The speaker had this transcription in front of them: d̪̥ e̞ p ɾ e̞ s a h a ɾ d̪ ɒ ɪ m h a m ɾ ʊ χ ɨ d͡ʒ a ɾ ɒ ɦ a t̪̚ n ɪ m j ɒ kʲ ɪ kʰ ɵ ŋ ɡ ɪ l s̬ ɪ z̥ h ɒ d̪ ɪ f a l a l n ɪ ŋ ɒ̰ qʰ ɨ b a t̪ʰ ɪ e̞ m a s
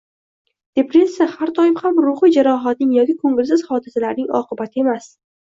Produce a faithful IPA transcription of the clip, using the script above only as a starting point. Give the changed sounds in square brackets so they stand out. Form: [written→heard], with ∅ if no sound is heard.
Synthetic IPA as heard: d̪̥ e̞ p ɾ e̞ s a h a ɾ d̪ ɒ ɪ m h a m ɾ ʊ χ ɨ d͡ʒ a ɾ ɒ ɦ a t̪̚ n ɪ [m→ŋ] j ɒ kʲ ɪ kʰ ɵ ŋ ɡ ɪ l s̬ ɪ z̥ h ɒ d̪ ɪ [f→s] a l a [l→ɾ] n ɪ ŋ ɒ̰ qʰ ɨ b a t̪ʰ ɪ e̞ m a s